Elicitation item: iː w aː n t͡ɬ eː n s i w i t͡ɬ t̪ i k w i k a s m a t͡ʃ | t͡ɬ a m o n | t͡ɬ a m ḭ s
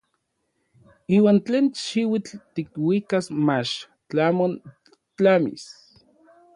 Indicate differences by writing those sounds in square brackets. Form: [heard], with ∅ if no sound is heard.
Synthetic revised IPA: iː w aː n t͡ɬ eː n [ʃ] i w i t͡ɬ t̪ i k w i k a s m a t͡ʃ | t͡ɬ a m o n | t͡ɬ a m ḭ s

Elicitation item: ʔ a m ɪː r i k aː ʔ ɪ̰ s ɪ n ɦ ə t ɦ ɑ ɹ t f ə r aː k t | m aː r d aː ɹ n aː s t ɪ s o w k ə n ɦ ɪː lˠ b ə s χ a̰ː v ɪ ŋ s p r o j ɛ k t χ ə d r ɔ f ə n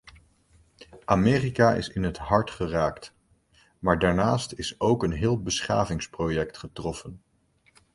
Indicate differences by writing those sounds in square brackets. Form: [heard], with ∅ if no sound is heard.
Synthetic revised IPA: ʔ a m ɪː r i k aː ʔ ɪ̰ s ɪ n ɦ ə t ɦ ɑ ɹ t [χ] ə r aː k t | m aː [ɹ] d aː ɹ n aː s t ɪ s o w k ə n ɦ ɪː lˠ b ə s χ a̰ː v ɪ ŋ s p r o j ɛ k t χ ə [t] r ɔ f ə n

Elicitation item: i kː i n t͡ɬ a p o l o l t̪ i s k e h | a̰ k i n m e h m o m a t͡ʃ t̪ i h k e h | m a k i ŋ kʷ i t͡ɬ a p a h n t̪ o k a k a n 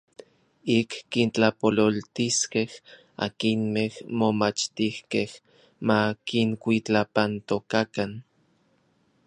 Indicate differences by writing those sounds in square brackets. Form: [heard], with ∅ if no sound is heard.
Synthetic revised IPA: i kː i n t͡ɬ a p o l o l t̪ i s k e h | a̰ k i n m e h m o m a t͡ʃ t̪ i h k e h | m a k i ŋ kʷ i t͡ɬ a p a [∅] n t̪ o k a k a n

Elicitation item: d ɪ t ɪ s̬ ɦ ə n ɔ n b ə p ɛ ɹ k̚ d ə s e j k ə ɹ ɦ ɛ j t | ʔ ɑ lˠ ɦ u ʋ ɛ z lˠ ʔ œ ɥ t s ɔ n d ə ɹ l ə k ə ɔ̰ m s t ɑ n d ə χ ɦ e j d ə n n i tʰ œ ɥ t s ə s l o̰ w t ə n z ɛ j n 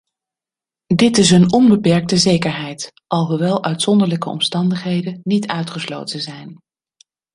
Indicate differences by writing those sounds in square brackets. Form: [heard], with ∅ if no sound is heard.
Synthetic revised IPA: d ɪ t ɪ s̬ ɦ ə n ɔ n b ə p ɛ ɹ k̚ [t] ə [z] e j k ə ɹ ɦ ɛ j t | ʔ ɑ lˠ ɦ u ʋ ɛ [∅] lˠ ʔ œ ɥ t s ɔ n d ə ɹ l ə k ə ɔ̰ m s t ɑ n d ə χ ɦ e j d ə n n i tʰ œ ɥ t [χ] ə s l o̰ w t ə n z ɛ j n

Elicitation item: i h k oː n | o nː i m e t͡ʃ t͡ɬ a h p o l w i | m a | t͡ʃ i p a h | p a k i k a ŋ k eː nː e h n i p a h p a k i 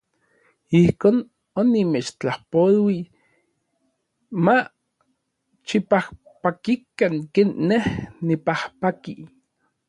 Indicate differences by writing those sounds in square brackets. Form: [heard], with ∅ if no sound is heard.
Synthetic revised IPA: i h k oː n | o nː i m e t͡ʃ t͡ɬ a h p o l w i | m a | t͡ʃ i p a h | p a k i k a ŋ k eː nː e h n i p a h p a k i

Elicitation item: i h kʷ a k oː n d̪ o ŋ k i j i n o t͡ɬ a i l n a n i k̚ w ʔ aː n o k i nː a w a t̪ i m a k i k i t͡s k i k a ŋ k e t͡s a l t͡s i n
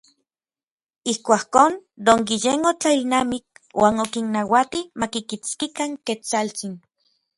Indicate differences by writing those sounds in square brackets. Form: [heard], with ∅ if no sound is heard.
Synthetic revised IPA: i h kʷ a k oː n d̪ o ŋ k i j [e] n o t͡ɬ a i l n a [m] i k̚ w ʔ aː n o k i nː a w a t̪ i m a k i k i t͡s k i k a ŋ k e t͡s a l t͡s i n

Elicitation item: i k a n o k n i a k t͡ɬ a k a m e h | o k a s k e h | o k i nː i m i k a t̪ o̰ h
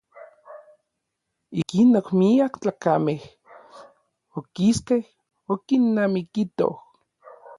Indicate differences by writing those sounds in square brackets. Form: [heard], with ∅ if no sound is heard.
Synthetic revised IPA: i k [i] n o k [m] i a k t͡ɬ a k a m e h | o k [i] s k e h | o k i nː [a] m i k [i] t̪ o̰ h

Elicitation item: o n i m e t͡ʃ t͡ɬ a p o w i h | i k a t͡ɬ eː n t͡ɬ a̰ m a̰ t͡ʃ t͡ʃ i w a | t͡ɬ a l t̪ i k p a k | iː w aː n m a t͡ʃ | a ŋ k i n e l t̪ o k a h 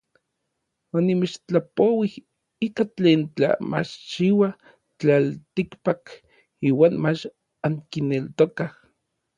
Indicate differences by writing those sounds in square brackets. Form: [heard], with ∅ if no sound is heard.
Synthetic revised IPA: o n i m e t͡ʃ t͡ɬ a p o w i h | i k a t͡ɬ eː n t͡ɬ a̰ m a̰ t͡ʃ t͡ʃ i w a | t͡ɬ a l t̪ i k p a k | iː w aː n m a t͡ʃ | a ŋ k i n e l t̪ o k a h

